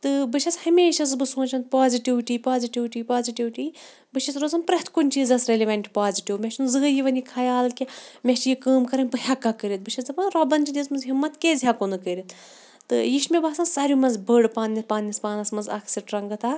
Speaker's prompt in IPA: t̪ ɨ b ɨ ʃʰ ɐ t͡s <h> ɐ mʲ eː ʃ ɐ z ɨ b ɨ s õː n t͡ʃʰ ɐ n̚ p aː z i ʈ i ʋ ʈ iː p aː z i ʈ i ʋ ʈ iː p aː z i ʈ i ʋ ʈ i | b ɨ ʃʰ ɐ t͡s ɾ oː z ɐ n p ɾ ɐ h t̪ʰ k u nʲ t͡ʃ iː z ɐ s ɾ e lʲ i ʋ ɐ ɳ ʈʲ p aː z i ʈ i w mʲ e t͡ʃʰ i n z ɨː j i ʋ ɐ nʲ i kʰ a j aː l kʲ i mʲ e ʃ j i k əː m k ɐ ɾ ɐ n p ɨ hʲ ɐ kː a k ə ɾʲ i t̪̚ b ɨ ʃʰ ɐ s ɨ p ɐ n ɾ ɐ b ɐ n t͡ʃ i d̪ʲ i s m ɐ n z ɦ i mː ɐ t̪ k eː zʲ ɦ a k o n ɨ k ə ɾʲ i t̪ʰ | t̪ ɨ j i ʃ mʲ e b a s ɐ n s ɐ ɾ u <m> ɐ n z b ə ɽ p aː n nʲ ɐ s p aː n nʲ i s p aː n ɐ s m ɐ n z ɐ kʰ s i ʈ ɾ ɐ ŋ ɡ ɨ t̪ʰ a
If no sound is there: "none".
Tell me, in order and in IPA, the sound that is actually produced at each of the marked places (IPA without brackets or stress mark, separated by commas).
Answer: h, m